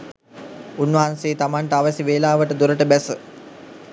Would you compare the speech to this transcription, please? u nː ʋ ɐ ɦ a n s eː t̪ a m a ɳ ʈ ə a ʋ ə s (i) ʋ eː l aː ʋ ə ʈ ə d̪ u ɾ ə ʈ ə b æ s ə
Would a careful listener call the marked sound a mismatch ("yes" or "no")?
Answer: no